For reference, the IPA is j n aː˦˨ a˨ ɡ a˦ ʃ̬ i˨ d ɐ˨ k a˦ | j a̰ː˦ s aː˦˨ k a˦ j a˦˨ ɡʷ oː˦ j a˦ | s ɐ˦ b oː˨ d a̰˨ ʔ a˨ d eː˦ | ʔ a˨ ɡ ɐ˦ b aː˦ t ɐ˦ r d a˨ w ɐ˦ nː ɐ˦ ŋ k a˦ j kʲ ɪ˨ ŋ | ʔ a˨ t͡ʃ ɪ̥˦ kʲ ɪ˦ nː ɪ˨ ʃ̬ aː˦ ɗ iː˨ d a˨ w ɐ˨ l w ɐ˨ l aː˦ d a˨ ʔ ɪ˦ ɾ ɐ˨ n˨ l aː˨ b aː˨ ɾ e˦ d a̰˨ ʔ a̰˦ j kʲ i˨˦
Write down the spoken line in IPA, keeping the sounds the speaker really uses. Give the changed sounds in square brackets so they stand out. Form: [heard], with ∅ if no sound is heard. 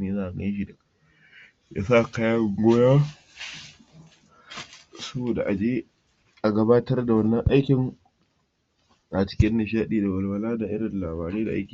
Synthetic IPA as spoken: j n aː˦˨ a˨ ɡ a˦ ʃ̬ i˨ d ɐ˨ k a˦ | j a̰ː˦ s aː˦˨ k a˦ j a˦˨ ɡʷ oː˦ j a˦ | s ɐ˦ b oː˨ d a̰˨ ʔ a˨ [d͡ʒ] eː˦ | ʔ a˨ ɡ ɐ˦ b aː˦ t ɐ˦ r d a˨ w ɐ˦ nː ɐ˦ ŋ [ʔ] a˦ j kʲ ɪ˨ ŋ | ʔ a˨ t͡ʃ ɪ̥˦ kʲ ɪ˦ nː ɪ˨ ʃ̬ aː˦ ɗ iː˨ d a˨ w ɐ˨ l w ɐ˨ l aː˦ d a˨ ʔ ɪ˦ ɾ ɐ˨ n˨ l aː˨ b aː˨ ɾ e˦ d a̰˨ ʔ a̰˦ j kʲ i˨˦

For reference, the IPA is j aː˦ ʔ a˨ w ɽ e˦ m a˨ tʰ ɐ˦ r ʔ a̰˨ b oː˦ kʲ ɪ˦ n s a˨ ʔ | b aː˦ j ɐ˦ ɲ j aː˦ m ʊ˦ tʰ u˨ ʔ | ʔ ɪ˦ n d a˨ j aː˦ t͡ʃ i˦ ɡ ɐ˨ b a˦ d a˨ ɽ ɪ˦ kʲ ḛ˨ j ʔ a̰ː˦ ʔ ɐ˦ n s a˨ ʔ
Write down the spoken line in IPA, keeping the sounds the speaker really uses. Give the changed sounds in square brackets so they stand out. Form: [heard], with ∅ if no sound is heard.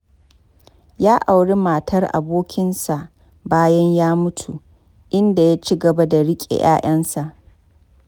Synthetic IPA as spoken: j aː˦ ʔ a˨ w ɽ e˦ m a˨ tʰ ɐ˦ r ʔ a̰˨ b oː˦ kʲ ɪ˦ n s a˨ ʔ | b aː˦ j ɐ˦ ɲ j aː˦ m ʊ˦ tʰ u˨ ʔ | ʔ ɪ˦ n d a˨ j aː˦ t͡ʃ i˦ ɡ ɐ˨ b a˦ d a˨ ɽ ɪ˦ [kʲʼ] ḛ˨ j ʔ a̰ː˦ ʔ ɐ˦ n s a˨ ʔ

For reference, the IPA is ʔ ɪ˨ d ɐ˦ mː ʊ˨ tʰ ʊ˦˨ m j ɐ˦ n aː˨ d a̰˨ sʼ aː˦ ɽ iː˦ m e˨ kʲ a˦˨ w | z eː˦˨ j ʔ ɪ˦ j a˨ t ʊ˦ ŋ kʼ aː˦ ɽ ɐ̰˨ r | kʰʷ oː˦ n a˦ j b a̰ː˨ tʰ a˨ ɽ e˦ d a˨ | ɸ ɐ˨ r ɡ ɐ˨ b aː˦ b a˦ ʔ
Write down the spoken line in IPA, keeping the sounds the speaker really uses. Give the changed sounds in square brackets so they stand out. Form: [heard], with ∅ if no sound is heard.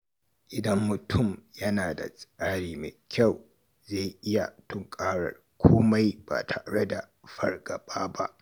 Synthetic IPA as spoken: ʔ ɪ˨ d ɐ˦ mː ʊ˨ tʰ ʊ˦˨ m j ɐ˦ n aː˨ d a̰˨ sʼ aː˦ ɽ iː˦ m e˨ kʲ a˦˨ w | z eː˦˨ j ʔ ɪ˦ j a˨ t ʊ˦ ŋ kʼ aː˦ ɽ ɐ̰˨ r | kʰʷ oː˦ [m] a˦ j b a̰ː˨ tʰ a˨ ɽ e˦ d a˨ | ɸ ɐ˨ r ɡ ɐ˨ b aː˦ b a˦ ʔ

